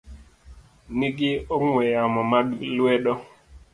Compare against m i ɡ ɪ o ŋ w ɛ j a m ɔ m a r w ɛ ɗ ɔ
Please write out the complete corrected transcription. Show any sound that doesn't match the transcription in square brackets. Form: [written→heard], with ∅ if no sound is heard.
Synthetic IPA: [m→n] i ɡ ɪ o ŋ w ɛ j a m ɔ m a [r→l] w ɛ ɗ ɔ